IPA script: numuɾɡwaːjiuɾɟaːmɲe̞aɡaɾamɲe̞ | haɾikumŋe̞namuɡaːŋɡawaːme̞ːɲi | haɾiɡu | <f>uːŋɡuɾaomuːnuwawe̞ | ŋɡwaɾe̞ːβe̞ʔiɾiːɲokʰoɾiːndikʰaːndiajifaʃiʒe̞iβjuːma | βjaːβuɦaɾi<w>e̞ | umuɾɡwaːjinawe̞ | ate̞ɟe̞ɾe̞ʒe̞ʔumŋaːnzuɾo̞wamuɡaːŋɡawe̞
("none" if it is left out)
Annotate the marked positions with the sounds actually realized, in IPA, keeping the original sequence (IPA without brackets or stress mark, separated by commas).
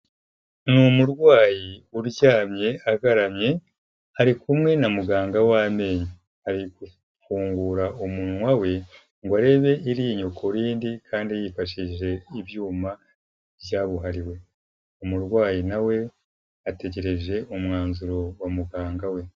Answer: f, w